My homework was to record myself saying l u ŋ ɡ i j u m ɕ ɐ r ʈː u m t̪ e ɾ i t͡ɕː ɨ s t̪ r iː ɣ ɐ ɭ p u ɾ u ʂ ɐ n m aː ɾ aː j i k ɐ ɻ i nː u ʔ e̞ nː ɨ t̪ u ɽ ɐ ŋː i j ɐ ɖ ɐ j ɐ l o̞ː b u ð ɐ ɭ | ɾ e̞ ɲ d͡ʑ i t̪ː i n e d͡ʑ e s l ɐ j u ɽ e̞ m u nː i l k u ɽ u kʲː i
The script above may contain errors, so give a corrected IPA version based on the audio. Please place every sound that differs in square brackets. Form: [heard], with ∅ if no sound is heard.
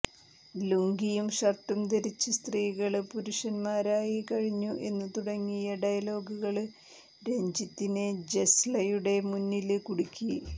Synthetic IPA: l u ŋ ɡ i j u m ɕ ɐ r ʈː u m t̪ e ɾ i t͡ɕː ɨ s t̪ r iː ɣ ɐ ɭ p u ɾ u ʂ ɐ n m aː ɾ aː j i k ɐ ɻ i [ɲː] u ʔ e̞ nː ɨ t̪ u ɽ ɐ ŋː i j ɐ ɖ ɐ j ɐ l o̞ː [ɡ] u [ɣ] ɐ ɭ | ɾ e̞ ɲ d͡ʑ i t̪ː i n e d͡ʑ e s l ɐ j u ɽ e̞ m u nː i l k u ɽ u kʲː i